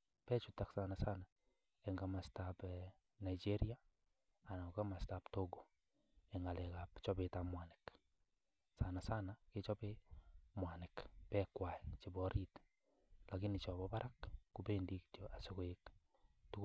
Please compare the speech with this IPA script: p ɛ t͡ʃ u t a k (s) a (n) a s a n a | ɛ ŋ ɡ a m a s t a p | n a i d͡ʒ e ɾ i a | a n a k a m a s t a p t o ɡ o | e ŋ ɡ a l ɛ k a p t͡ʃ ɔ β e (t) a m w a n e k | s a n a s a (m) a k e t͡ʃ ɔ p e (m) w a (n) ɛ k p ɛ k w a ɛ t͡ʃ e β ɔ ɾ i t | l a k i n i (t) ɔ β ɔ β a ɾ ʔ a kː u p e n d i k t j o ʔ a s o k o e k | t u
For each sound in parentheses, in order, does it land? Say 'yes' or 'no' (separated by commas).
yes, yes, yes, no, yes, yes, no